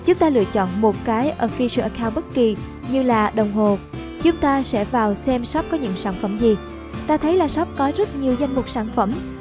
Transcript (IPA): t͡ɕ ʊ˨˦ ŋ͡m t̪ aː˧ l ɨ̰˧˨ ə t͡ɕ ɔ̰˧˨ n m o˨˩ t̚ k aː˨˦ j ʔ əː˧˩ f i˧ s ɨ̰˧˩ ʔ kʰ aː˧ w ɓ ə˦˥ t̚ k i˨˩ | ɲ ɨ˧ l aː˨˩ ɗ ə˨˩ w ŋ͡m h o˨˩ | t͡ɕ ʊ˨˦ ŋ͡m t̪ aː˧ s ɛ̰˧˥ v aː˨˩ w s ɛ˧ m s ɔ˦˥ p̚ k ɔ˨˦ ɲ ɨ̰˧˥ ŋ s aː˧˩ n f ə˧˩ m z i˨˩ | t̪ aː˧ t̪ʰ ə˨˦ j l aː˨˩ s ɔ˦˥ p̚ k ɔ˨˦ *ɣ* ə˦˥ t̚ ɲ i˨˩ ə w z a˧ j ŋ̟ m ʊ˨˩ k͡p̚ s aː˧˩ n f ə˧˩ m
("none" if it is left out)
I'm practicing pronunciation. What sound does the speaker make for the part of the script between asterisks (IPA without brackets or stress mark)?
z